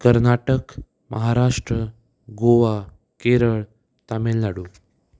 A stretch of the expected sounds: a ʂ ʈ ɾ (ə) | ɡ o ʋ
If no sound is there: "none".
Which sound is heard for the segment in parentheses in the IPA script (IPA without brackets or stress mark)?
ə